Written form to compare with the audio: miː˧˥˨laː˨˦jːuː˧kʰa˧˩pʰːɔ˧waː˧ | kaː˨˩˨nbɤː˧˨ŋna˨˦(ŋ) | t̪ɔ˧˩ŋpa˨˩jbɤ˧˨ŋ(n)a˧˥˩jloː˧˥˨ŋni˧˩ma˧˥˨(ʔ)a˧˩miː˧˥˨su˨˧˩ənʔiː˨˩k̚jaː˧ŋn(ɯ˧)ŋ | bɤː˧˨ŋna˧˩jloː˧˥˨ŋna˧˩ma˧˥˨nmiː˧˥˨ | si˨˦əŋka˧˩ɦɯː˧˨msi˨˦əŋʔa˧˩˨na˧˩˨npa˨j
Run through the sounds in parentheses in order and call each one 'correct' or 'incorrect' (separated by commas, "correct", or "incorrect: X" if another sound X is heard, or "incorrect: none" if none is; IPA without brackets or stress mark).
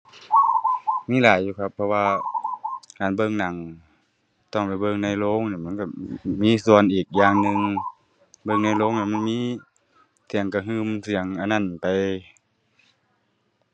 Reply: correct, correct, incorrect: k, correct